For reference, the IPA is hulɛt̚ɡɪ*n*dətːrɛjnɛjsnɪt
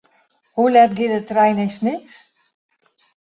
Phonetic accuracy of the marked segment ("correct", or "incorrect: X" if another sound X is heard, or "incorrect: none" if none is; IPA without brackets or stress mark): incorrect: none